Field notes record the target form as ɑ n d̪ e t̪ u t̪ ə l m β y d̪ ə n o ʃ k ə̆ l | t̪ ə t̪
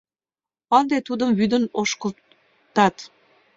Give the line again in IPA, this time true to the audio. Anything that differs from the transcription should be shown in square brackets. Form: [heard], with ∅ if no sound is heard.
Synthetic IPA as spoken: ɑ n d̪ e t̪ u [d̪] ə [∅] m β y d̪ ə n o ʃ k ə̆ l | t̪ [ɑ] t̪